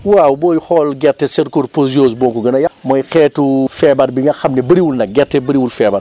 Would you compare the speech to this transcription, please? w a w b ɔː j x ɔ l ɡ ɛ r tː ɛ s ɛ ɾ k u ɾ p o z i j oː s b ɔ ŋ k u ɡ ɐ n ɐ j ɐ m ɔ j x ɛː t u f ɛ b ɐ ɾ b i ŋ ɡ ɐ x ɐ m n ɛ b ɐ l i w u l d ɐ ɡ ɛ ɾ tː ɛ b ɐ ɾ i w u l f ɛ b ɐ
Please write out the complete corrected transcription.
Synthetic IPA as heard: w a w b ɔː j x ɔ l ɡ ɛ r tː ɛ s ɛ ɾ k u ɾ p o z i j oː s b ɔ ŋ k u ɡ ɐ n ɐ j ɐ m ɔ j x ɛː t u f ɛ b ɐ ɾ b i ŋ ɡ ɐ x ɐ m n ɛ b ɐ ɾ i w u l n ɐ ɡ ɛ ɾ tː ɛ b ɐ ɾ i w u l f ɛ b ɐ